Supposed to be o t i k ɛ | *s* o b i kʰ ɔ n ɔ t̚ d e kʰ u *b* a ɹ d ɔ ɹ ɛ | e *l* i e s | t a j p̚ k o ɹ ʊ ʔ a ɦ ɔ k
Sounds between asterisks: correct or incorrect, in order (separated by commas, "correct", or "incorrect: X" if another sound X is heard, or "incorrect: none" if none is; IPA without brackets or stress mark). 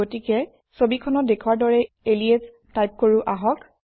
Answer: correct, incorrect: w, correct